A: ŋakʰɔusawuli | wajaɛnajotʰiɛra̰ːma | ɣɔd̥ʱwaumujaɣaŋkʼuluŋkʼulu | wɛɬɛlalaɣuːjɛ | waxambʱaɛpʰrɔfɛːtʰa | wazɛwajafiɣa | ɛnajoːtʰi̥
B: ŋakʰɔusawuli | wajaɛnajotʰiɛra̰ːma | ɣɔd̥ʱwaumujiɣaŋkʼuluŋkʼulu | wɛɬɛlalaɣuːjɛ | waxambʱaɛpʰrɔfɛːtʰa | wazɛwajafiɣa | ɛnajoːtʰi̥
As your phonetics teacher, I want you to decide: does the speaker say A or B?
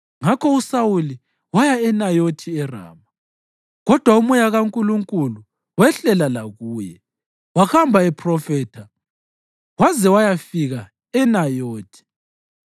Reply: A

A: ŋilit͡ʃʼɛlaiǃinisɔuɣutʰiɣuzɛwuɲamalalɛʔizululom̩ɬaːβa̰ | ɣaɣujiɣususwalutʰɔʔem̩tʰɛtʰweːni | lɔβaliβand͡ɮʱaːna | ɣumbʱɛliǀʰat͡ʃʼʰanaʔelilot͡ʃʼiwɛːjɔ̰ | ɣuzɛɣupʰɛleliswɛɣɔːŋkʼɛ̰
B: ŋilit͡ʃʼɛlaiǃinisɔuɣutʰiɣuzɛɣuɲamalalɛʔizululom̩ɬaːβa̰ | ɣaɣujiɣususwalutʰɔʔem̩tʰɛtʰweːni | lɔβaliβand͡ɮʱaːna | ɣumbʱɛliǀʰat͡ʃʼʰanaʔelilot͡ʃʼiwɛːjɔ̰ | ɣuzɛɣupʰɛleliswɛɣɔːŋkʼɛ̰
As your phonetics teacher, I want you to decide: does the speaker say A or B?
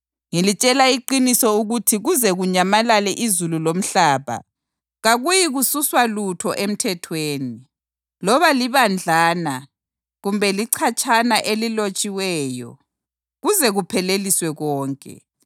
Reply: B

